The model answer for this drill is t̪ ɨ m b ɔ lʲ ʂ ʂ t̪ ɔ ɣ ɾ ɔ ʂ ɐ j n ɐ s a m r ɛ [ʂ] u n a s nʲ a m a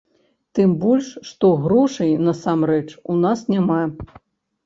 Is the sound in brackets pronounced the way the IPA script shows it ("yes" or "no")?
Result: no